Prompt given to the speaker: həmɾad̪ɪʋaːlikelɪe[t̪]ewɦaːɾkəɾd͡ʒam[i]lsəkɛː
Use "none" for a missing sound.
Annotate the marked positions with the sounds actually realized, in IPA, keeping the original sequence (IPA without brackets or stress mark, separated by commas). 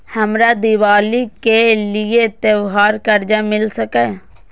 t̪, ɪ